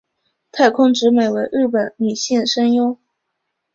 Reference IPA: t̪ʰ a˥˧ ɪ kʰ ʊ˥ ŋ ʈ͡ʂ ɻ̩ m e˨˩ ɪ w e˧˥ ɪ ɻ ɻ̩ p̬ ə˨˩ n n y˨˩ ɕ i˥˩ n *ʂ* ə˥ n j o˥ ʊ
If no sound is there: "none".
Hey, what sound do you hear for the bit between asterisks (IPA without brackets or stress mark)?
ʂ